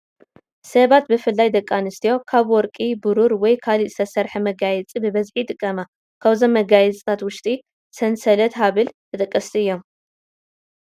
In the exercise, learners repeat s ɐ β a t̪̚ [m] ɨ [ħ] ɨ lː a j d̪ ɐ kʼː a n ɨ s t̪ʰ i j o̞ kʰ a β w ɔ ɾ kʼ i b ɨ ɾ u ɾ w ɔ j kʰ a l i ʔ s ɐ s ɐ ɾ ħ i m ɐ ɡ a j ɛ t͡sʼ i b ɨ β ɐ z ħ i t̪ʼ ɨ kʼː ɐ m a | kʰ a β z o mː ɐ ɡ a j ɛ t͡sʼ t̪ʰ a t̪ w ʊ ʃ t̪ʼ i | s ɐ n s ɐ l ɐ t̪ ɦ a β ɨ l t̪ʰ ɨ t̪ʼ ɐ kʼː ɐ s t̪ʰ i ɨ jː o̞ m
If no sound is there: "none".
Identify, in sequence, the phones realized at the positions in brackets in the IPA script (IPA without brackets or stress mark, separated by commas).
b, f